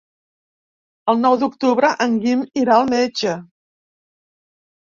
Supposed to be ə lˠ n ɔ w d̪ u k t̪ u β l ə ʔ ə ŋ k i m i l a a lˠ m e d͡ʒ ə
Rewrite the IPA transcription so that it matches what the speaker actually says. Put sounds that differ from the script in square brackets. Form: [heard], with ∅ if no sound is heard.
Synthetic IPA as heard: ə lˠ n ɔ w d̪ u k t̪ u β [ɾ] ə ʔ ə ŋ [ɡ] i m i [ɾ] a [ə] lˠ m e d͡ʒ ə